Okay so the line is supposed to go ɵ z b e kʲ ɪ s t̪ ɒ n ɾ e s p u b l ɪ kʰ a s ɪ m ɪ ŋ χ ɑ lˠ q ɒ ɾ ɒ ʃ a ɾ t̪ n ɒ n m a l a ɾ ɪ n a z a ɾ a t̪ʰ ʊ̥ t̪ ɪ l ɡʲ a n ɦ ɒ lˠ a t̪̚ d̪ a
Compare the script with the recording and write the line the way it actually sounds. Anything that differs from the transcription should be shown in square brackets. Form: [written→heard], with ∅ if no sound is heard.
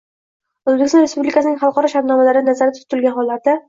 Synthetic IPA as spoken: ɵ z b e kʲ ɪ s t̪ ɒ n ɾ e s p u b l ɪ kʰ a s ɪ [m→n] ɪ ŋ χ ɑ lˠ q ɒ ɾ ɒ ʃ a ɾ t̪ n ɒ [n→∅] m a l a ɾ ɪ n a z a ɾ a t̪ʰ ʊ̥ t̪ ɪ l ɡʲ a n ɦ ɒ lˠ a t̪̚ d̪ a